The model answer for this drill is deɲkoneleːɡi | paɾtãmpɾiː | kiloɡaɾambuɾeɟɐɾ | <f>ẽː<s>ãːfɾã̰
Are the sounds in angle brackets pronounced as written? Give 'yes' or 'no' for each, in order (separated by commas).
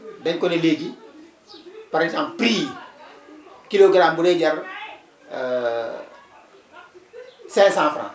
no, yes